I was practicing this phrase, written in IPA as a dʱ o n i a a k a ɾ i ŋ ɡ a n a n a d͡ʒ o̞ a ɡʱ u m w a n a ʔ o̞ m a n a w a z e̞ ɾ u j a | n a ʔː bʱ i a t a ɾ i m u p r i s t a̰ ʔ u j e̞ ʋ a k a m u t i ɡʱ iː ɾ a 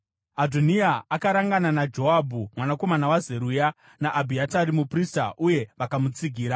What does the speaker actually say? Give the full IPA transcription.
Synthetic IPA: a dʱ o n i a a k a ɾ a ŋ ɡ a n a n a d͡ʒ o̞ a bʱ u m w a n a k o̞ m a n a w a z e̞ ɾ u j a | n a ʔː bʱ i a t a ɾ i m u p r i s t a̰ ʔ u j e̞ ʋ a k a m u t͡s i ɡʱ iː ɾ a